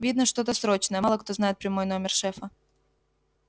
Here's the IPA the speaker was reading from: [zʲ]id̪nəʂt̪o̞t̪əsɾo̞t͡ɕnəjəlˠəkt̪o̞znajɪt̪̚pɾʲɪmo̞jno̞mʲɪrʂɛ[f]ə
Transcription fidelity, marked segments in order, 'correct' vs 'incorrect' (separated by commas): incorrect, correct